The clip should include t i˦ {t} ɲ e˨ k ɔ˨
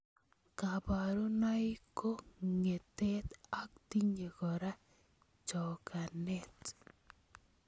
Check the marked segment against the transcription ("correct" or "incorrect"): incorrect